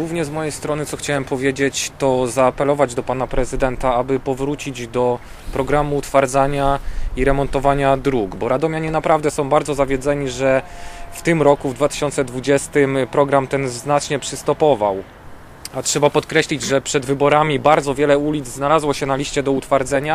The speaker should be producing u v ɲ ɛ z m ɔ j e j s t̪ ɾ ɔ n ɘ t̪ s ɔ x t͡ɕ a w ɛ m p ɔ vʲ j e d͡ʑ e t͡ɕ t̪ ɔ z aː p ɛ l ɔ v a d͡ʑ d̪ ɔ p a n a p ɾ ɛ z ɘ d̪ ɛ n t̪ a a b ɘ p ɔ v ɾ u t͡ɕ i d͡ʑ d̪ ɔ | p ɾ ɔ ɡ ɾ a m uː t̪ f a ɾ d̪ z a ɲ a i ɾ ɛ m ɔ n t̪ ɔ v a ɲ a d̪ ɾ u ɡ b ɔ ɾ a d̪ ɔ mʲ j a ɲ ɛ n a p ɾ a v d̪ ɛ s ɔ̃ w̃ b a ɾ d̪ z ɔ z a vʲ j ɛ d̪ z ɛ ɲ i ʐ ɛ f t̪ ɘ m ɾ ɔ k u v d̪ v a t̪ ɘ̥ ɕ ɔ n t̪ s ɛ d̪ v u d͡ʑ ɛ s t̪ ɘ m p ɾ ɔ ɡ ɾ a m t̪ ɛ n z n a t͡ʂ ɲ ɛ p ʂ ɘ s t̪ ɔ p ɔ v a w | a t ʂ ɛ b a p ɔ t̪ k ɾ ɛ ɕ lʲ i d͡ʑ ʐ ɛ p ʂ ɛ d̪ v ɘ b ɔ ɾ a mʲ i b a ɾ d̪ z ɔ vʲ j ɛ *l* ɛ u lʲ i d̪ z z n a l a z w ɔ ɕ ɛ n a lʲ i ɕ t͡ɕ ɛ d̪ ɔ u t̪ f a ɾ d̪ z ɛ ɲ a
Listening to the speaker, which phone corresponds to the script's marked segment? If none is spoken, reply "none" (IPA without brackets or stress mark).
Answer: l